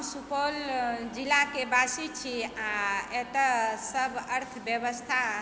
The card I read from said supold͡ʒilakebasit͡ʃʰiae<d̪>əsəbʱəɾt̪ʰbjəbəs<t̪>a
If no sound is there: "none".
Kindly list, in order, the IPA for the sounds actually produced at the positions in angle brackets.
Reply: t̪, t̪ʰ

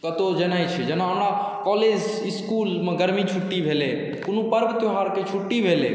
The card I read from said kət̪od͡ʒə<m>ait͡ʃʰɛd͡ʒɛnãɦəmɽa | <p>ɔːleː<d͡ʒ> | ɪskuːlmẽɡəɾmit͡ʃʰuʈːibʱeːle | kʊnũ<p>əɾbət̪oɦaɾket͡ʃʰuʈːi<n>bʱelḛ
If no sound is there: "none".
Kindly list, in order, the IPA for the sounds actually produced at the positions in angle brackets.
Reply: n, k, d͡ʒ, p, none

